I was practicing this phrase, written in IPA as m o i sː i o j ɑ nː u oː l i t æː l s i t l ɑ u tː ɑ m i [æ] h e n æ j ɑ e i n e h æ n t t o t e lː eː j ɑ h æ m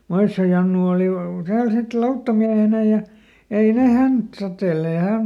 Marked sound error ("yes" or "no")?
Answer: no